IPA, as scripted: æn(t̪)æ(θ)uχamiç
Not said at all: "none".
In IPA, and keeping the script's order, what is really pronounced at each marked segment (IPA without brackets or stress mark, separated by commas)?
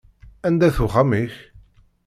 d̪, θ